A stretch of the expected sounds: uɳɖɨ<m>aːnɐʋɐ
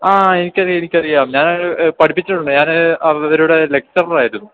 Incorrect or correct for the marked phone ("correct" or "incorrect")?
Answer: incorrect